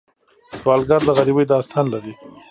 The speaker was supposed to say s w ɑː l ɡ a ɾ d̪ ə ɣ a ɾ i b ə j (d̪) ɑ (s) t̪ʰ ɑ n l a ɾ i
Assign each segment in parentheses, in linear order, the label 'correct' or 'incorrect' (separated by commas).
correct, correct